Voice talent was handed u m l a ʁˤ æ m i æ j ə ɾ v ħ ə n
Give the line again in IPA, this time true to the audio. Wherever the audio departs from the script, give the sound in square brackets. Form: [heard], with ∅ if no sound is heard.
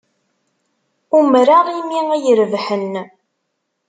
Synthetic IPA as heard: u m [ɾ] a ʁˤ [i] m i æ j ə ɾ v ħ ə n